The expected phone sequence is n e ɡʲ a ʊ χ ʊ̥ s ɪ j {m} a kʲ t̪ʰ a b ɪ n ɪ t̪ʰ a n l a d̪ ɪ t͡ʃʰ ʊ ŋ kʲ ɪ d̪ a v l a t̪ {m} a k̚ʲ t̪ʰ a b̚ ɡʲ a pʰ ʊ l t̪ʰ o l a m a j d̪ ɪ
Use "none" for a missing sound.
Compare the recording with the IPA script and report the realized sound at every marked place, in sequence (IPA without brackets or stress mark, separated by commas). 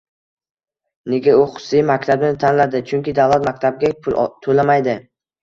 m, m